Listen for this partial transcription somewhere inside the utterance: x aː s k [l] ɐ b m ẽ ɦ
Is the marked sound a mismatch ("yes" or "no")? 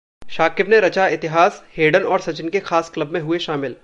no